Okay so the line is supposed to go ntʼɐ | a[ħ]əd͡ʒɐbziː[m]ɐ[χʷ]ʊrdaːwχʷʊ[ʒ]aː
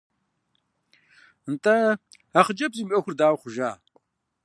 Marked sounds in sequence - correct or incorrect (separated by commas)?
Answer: incorrect, correct, incorrect, correct